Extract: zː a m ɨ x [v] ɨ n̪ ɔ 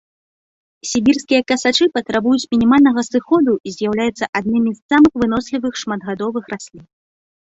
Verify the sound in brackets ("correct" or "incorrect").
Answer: correct